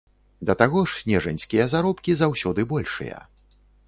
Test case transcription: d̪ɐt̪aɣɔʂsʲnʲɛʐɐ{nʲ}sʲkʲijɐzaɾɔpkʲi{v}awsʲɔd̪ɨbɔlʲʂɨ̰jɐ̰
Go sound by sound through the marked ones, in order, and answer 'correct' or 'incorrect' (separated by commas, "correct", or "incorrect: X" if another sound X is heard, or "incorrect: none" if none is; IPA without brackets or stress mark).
correct, incorrect: z